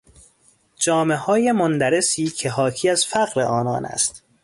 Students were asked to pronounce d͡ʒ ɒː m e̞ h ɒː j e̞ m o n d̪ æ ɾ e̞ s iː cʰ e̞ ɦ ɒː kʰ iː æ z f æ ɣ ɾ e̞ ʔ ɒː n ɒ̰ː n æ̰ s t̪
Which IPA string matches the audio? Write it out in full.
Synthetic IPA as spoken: d͡ʒ ɒː m e̞ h ɒː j e̞ m o n d̪ æ ɾ e̞ s iː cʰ e̞ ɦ ɒː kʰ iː æ z f æ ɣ ɾ e̞ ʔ ɒː n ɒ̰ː n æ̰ s t̪